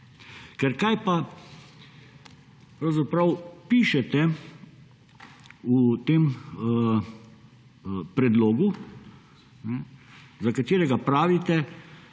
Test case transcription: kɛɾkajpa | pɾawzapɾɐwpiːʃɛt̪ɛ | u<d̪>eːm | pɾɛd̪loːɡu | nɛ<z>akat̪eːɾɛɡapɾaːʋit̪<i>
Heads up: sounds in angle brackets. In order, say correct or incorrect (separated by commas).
incorrect, correct, incorrect